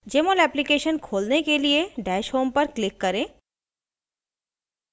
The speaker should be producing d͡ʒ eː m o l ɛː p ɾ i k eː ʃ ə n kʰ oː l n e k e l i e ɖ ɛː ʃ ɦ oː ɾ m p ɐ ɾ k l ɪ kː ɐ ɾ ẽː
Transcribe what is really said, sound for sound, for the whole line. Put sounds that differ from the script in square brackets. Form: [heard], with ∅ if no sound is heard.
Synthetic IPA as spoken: d͡ʒ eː m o l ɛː p [l] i k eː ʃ ə n kʰ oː l n e k e l i e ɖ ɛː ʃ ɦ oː [∅] m p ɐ ɾ k l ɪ kː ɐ ɾ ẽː